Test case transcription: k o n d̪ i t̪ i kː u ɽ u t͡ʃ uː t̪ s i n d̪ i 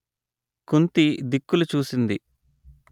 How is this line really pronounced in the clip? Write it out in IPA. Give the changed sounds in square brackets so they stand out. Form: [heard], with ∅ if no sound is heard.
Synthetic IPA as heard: k [u] n [t̪] i [d̪] i kː u [l] u t͡ʃ uː [∅] s i n d̪ i